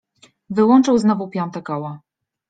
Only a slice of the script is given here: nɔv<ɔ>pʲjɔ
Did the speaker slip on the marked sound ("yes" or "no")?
yes